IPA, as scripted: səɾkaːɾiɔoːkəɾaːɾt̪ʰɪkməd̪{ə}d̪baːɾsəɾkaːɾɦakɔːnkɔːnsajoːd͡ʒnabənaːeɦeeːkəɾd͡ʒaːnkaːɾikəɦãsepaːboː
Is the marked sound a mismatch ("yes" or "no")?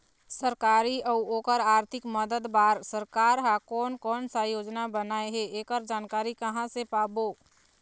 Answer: no